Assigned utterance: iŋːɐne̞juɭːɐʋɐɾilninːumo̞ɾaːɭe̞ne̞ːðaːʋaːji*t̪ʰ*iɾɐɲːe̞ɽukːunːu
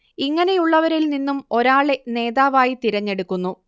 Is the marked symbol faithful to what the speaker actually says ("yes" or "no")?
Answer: no